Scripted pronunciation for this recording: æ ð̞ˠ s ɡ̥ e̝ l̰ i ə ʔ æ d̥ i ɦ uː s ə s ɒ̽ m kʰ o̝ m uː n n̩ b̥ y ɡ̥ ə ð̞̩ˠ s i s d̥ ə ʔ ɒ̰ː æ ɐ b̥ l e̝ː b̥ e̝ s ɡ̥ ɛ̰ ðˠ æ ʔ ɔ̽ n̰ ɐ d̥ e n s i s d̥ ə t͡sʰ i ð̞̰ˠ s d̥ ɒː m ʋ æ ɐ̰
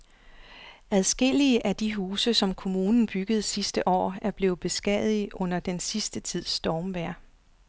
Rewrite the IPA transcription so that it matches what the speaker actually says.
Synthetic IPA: æ ð̞ˠ s ɡ̥ e̝ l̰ i ə ʔ æ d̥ i ɦ uː s ə s ɒ̽ m kʰ o̝ m uː n n̩ b̥ y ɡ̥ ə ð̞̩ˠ s i s d̥ ə ʔ ɒ̰ː æ ɐ b̥ l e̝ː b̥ e̝ s ɡ̥ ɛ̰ ðˠ i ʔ ɔ̽ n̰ ɐ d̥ e n s i s d̥ ə t͡sʰ i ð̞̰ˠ s d̥ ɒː m ʋ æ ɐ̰